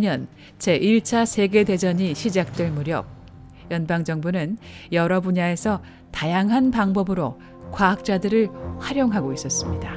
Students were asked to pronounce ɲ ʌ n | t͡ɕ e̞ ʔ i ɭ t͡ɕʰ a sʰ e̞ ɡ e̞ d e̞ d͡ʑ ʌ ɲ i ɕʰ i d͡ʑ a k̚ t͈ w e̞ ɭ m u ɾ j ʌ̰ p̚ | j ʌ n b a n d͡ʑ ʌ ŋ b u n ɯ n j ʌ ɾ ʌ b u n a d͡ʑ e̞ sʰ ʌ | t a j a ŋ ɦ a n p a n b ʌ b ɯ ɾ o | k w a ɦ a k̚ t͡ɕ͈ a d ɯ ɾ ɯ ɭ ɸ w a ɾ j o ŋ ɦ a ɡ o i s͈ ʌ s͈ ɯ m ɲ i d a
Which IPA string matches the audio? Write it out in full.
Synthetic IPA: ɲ ʌ n | t͡ɕ e̞ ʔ i ɭ t͡ɕʰ a sʰ e̞ ɡ e̞ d e̞ d͡ʑ ʌ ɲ i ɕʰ i d͡ʑ a k̚ t͈ w e̞ ɭ m u ɾ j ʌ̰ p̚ | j ʌ n b a ŋ d͡ʑ ʌ ŋ b u n ɯ n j ʌ ɾ ʌ b u ɲ a e̞ sʰ ʌ | t a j a ŋ ɦ a n p a ŋ b ʌ b ɯ ɾ o | k w a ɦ a k̚ t͡ɕ͈ a d ɯ ɾ ɯ ɭ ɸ w a ɾ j o ŋ ɦ a ɡ o i s͈ ʌ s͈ ɯ m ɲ i d a